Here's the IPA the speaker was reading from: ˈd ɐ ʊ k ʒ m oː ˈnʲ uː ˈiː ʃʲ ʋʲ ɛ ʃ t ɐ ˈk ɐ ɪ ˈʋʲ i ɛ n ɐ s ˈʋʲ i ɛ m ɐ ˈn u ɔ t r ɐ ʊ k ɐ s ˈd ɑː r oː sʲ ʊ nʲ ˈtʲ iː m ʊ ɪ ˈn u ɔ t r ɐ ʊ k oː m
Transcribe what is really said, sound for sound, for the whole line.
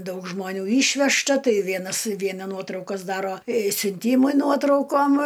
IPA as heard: ˈd ɐ ʊ k ʒ m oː ˈnʲ uː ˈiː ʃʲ ʋʲ ɛ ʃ t ɐ ˈt ɐ ɪ ˈʋʲ i ɛ n ɐ s ˈʋʲ i ɛ n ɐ ˈn u ɔ t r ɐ ʊ k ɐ s ˈd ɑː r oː sʲ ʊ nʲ ˈtʲ iː m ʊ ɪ ˈn u ɔ t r ɐ ʊ k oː m